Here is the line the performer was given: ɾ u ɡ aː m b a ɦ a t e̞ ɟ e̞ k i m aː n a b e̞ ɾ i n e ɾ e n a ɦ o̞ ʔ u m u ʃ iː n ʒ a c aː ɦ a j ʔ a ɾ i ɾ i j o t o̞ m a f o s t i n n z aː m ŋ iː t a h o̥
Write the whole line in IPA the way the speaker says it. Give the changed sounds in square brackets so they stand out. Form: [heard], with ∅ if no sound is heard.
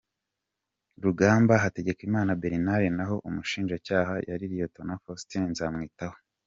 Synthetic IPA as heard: ɾ u ɡ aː m b a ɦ a t e̞ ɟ e̞ k i m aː n a b e̞ ɾ i n [a] ɾ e n a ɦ o̞ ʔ u m u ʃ iː n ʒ a c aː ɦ a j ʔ a ɾ i ɾ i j o t o̞ [n] a f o s t i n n z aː m ŋ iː t a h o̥